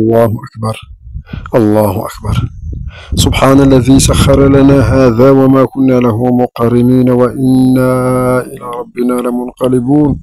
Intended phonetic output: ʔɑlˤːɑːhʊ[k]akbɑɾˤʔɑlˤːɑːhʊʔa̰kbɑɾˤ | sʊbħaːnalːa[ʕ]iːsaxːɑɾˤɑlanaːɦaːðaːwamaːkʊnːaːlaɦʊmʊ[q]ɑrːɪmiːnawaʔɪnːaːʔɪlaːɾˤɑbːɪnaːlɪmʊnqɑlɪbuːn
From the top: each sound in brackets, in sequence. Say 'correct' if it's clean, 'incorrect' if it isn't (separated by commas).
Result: incorrect, incorrect, correct